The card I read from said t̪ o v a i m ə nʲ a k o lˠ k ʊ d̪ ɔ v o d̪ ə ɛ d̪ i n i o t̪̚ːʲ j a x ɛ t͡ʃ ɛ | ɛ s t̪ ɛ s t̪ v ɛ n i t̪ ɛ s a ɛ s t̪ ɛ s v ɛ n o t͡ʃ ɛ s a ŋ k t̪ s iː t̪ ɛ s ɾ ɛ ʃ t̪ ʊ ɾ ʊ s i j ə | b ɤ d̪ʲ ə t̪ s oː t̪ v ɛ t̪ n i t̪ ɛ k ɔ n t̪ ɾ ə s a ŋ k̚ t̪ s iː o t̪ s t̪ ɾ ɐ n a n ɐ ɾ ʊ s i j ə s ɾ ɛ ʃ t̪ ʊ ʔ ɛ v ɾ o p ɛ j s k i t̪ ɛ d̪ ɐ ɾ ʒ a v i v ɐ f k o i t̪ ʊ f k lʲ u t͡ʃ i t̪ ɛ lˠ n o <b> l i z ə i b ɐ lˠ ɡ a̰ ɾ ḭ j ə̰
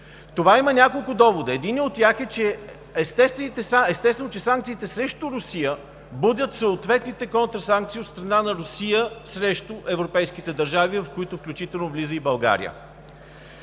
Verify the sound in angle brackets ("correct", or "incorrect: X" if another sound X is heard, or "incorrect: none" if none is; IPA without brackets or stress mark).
incorrect: v